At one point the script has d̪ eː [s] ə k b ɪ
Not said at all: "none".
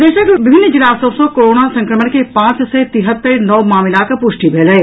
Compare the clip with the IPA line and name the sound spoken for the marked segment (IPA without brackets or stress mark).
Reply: ʃ